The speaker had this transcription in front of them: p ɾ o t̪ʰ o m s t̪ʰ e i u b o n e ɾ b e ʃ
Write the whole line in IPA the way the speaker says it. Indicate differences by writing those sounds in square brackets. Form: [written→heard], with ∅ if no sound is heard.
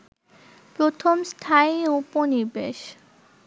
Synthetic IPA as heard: p ɾ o t̪ʰ o m s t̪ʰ [e→a] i u [b→p] o n [e→i] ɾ b e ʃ